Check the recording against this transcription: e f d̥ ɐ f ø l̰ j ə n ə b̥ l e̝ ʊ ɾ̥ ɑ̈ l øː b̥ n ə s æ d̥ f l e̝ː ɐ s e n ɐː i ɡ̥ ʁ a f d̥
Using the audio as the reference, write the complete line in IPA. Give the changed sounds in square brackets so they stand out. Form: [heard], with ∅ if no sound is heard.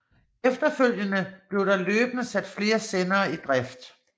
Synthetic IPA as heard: e f d̥ ɐ f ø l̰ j ə n ə b̥ l e̝ ʊ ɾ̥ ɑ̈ l øː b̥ n ə s æ d̥ f l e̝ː ɐ s e n ɐː i [d̥] ʁ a f d̥